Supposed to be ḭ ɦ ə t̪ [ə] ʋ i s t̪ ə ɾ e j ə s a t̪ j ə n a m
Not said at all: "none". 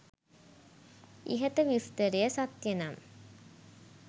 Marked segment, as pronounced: ə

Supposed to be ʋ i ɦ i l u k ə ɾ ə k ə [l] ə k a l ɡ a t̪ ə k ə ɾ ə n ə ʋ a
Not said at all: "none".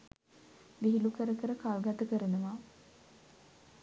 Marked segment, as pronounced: ɾ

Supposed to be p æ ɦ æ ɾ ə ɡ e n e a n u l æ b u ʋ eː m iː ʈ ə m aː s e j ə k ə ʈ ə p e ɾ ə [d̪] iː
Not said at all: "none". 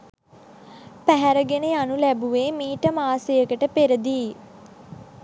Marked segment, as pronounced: d̪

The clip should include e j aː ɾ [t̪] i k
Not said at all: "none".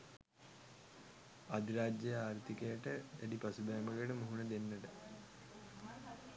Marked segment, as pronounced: t̪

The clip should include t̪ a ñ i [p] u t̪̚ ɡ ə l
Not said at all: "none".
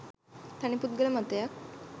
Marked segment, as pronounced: p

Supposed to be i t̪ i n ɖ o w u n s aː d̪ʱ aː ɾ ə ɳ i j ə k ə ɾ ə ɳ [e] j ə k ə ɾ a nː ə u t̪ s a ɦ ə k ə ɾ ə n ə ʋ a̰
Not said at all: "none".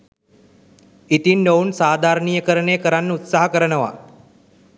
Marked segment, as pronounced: e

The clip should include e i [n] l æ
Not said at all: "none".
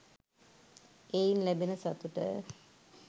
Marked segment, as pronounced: n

